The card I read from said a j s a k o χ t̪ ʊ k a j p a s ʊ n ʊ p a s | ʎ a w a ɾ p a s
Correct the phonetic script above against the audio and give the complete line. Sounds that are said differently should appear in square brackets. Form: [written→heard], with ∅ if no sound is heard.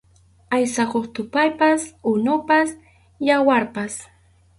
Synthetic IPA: a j s a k o χ t̪ ʊ [k→p] a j p a s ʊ n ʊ p a s | [ʎ→j] a w a ɾ p a s